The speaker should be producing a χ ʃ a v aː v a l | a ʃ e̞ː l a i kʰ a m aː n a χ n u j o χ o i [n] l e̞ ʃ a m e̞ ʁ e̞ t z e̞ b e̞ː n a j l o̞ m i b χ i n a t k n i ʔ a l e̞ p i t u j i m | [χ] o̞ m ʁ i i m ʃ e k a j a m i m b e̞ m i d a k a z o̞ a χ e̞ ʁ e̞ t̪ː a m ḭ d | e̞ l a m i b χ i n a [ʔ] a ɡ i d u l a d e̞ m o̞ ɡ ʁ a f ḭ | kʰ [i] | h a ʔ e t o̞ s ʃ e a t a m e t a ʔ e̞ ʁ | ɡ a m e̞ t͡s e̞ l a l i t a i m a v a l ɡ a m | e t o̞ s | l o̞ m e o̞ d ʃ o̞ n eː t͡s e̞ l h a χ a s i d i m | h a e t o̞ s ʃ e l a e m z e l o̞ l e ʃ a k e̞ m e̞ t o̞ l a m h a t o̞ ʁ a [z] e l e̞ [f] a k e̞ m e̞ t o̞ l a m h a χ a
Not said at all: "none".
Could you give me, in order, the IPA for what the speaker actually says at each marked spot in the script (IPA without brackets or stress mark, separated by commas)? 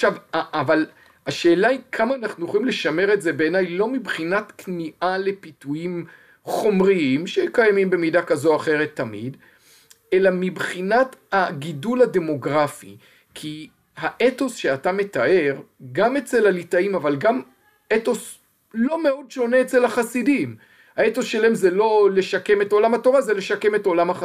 m, χ, t, i, z, ʃ